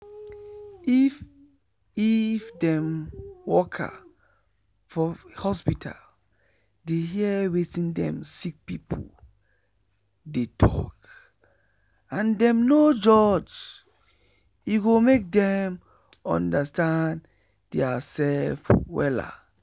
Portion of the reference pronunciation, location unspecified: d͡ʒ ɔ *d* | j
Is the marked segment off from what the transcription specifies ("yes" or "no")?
yes